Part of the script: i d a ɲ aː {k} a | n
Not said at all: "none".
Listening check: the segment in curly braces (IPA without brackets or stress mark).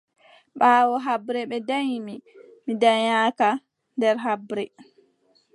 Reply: k